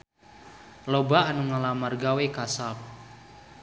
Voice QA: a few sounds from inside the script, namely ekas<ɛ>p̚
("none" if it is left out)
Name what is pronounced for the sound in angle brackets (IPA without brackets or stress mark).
a